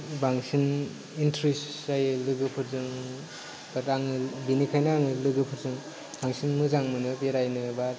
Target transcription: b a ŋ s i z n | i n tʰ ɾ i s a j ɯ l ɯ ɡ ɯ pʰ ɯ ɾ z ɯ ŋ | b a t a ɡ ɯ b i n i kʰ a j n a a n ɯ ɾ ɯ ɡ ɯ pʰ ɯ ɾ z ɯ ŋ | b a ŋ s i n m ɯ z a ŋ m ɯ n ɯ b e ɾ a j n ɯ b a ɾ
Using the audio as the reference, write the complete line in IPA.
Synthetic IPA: b a ŋ s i n | i n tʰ ɾ i s a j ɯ l ɯ ɡ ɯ pʰ ɯ ɾ z ɯ ŋ | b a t a ŋ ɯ b i n i kʰ a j n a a ŋ ɯ l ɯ ɡ ɯ pʰ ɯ ɾ z ɯ ŋ | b a ŋ s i n m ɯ z a ŋ m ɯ n ɯ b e ɾ a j n ɯ b a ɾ